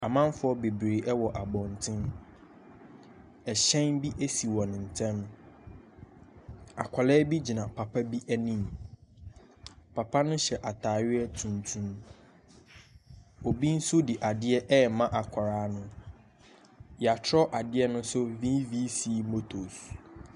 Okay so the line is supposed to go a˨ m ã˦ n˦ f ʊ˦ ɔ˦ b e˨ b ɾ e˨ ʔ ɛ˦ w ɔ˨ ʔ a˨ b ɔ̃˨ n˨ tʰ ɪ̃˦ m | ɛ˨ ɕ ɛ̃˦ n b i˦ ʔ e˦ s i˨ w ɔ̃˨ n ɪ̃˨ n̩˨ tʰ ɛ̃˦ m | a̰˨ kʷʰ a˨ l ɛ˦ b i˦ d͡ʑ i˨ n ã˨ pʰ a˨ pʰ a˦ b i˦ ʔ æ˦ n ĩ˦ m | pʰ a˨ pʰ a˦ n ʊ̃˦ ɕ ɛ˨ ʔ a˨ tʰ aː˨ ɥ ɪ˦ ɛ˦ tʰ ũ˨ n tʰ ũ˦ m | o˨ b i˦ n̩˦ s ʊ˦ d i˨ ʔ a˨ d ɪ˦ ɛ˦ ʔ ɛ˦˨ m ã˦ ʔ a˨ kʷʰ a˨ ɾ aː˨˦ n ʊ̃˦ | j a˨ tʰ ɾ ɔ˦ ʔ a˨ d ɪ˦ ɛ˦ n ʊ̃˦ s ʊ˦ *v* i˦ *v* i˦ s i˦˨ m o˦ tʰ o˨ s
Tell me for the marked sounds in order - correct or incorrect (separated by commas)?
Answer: correct, correct